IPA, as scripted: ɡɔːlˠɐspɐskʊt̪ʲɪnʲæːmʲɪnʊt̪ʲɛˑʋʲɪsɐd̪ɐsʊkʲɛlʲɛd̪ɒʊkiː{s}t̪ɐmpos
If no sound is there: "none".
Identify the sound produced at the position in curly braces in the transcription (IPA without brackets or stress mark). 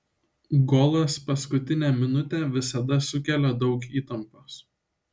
none